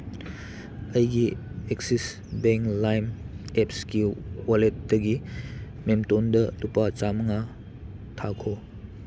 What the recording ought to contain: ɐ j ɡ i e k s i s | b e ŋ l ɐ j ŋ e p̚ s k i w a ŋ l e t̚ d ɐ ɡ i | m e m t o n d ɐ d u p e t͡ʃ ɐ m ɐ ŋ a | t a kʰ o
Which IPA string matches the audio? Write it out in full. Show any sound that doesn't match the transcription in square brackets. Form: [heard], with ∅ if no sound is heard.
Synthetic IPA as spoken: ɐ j ɡ i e k s i s | b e ŋ l [a] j [m] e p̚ s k i w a [∅] l e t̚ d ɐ ɡ i | m e m t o n d ɐ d u p [a] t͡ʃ [a] m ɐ ŋ a | [tʰ] a kʰ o